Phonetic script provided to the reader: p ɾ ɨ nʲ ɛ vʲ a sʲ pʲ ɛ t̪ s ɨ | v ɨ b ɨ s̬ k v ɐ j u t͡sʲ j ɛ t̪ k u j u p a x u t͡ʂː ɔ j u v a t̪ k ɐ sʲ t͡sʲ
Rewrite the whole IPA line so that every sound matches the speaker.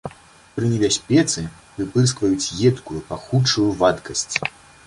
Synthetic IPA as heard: p ɾ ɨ nʲ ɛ bʲ a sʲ pʲ ɛ t̪ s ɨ | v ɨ p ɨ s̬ k v ɐ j u t͡sʲ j ɛ t̪ k u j u p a x u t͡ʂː u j u v a t̪ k ɐ sʲ t͡sʲ